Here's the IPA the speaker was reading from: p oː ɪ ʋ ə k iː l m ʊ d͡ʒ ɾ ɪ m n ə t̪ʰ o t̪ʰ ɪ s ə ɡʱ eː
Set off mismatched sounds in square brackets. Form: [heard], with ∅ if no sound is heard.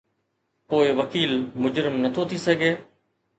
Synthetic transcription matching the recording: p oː ɪ ʋ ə k iː l m ʊ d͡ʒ ɾ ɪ m n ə t̪ʰ o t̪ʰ [i] s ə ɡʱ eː

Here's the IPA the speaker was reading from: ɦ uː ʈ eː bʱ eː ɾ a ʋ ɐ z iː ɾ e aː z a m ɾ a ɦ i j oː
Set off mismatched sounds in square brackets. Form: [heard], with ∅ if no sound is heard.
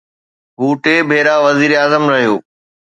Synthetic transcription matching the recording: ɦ uː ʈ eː bʱ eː ɾ a ʋ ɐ z iː ɾ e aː z [ə] m ɾ [ɐ] ɦ i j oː

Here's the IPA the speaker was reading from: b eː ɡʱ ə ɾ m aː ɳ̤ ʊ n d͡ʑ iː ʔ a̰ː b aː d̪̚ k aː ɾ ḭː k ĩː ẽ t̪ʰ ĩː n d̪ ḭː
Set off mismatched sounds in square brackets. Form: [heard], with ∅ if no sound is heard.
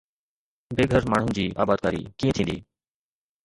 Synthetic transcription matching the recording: b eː ɡʱ ə ɾ m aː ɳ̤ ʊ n d͡ʑ iː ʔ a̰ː b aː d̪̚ k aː ɾ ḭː k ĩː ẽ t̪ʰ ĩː n d̪ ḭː

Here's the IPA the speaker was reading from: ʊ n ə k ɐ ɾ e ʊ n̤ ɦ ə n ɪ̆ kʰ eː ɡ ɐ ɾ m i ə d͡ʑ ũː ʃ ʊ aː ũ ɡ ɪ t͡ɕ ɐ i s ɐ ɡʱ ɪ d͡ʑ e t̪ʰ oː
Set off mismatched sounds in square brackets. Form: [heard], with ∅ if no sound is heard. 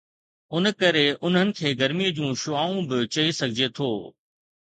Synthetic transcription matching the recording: ʊ n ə k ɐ ɾ e ʊ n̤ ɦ ə n ɪ̆ kʰ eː ɡ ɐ ɾ m i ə d͡ʑ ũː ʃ ʊ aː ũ [b] ɪ t͡ɕ ɐ i s ɐ ɡʱ ɪ d͡ʑ e t̪ʰ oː

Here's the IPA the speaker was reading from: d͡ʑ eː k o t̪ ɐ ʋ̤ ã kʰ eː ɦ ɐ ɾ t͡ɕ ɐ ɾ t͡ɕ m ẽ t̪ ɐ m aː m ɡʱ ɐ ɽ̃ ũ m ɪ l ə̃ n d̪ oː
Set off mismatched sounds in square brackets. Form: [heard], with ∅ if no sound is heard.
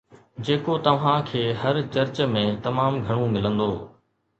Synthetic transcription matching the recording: d͡ʑ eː k o t̪ ɐ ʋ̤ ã kʰ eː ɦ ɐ ɾ t͡ɕ ɐ ɾ t͡ɕ m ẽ t̪ ɐ m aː m ɡʱ ɐ ɽ̃ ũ m ɪ l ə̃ n d̪ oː

